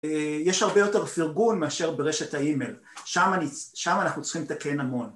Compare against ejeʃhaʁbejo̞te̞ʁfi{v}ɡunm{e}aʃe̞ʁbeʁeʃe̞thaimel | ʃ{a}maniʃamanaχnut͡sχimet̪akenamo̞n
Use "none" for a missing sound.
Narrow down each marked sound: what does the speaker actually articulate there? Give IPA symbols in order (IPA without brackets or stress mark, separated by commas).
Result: ʁ, e, a